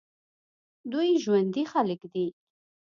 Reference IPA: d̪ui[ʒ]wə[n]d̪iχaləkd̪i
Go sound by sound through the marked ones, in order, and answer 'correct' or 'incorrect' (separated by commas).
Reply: correct, correct